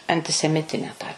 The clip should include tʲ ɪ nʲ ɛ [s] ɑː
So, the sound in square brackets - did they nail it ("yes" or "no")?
no